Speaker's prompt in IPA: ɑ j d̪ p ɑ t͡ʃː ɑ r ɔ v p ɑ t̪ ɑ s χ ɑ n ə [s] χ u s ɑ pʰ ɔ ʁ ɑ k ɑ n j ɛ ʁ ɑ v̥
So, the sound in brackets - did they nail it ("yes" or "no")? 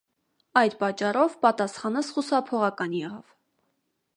yes